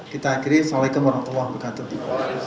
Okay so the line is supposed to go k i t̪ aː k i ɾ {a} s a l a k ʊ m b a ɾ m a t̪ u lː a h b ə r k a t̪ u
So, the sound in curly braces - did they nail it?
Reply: no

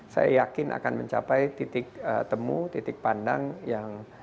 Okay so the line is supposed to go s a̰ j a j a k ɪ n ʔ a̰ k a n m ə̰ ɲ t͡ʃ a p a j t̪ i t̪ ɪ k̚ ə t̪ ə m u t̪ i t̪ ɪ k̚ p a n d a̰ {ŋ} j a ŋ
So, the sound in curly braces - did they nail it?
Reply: yes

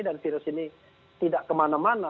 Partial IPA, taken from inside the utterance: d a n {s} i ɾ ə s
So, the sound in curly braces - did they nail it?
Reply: no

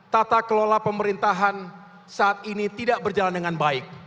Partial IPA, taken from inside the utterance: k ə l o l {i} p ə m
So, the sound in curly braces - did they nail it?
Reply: no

